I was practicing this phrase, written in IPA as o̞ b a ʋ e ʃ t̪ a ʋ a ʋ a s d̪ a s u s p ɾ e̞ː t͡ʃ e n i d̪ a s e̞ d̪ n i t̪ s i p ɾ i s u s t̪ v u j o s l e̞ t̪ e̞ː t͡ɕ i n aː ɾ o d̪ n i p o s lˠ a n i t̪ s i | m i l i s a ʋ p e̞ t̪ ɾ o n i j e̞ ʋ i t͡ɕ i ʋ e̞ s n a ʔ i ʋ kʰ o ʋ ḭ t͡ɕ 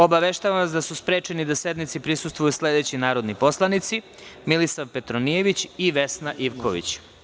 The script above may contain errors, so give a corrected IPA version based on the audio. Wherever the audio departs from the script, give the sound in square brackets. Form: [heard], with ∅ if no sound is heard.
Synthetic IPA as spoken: o̞ b a ʋ e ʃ t̪ a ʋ a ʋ a s d̪ a s u s p ɾ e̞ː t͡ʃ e n i d̪ a s e̞ d̪ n i t̪ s i p ɾ i s u s t̪ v u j [u] s l e̞ [d̪] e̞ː t͡ɕ i n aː ɾ o d̪ n i p o s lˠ a n i t̪ s i | m i l i s a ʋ p e̞ t̪ ɾ o n i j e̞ ʋ i t͡ɕ i ʋ e̞ s n a ʔ i ʋ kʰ o ʋ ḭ t͡ɕ